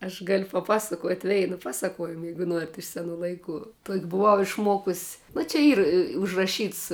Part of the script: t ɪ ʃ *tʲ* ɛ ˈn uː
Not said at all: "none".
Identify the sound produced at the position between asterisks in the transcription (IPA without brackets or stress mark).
sʲ